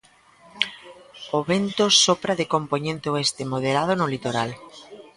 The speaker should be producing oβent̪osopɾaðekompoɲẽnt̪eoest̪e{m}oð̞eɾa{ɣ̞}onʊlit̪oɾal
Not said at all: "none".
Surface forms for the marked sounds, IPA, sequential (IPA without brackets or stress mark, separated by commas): m, ð̞